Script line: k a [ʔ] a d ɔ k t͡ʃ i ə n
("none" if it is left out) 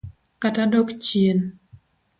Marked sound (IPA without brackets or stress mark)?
t